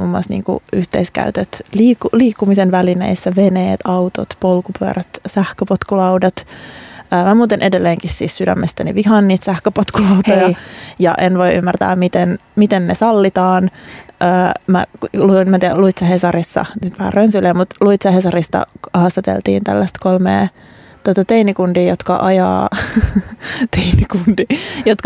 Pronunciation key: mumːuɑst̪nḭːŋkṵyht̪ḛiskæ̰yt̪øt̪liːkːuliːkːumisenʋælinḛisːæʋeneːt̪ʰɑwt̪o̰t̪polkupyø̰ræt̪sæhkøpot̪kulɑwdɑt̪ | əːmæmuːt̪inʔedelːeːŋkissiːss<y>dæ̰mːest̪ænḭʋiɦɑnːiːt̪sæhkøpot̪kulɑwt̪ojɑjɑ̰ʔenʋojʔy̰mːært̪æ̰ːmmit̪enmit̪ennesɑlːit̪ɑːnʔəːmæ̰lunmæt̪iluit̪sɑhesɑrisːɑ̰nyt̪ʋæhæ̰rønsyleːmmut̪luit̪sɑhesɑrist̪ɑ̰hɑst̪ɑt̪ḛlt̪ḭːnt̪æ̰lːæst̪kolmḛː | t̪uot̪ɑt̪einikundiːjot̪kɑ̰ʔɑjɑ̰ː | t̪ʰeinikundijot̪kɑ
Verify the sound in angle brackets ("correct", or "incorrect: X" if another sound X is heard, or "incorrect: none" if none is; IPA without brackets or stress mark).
correct